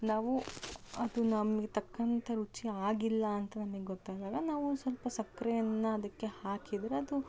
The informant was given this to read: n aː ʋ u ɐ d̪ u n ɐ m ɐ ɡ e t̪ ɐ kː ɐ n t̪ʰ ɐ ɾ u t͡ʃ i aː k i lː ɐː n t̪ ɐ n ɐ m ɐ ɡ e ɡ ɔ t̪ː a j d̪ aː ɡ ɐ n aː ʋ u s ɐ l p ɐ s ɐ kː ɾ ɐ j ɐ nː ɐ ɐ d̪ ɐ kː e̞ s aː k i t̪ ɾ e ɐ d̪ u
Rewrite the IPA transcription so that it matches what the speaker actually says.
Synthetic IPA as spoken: n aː ʋ u ɐ d̪ u n ɐ m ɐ ɡ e t̪ ɐ kː ɐ n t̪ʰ ɐ ɾ u t͡ʃ i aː ɡ i lː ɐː n t̪ ɐ n ɐ m ɐ ɡ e ɡ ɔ t̪ː a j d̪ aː ɡ ɐ n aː ʋ u s ɐ l p ɐ s ɐ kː ɾ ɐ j ɐ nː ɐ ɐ d̪ ɐ kː e̞ h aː k i d̪ ɾ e ɐ d̪ u